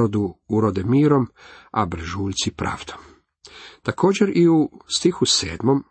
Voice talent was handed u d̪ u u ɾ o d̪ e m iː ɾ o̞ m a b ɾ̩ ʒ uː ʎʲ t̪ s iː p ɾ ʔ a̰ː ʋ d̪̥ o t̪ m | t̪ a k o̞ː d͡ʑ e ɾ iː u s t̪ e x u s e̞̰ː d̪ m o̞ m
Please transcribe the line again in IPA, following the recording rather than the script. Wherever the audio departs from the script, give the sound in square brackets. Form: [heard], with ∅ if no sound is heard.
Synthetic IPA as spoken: [o] d̪ u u ɾ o d̪ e m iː ɾ o̞ m a b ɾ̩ ʒ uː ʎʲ t̪ s [i] p ɾ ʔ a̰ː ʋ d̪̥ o [∅] m | t̪ a k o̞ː d͡ʑ e ɾ [i] u s t̪ [i] x u s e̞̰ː d̪ m o̞ m